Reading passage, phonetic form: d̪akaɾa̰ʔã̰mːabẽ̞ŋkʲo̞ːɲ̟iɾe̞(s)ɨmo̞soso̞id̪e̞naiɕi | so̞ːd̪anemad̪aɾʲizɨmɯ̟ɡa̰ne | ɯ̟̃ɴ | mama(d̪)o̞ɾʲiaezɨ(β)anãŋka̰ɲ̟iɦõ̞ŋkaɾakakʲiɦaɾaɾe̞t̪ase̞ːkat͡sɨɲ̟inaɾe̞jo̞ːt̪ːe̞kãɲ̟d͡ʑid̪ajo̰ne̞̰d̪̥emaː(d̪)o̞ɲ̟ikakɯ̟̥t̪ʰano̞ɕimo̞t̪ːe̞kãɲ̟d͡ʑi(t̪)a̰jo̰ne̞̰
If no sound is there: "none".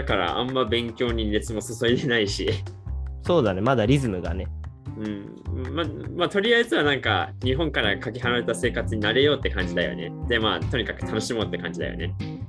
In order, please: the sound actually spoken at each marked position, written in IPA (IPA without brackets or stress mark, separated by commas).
t͡s, t̪, β, t̪, d̪